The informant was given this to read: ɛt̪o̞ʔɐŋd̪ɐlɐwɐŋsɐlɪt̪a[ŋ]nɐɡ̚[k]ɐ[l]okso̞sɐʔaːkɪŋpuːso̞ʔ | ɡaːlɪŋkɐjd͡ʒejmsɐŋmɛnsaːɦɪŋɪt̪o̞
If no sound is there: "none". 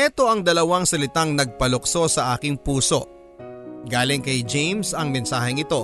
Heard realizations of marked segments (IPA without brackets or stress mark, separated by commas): ŋ, p, l